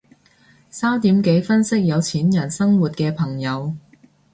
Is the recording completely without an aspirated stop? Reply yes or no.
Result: no